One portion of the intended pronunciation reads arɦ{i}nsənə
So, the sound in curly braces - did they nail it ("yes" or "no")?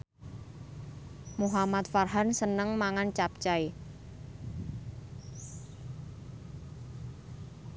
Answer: no